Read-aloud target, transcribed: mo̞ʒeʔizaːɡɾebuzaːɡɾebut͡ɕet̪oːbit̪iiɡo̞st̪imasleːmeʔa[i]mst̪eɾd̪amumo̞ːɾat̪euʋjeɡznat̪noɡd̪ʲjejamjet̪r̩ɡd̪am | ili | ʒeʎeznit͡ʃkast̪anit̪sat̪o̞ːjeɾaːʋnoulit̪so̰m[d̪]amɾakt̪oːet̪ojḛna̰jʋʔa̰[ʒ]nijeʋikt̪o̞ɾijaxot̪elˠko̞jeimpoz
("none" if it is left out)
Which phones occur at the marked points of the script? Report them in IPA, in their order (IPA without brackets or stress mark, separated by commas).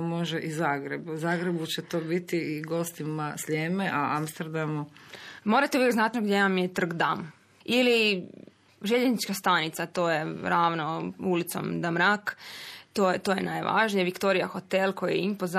a, d̪, ʒ